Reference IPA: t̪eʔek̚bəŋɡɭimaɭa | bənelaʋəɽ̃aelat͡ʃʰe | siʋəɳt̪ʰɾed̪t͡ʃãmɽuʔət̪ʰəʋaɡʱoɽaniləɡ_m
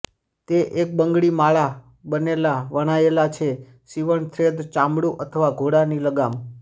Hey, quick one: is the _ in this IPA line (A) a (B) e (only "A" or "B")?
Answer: A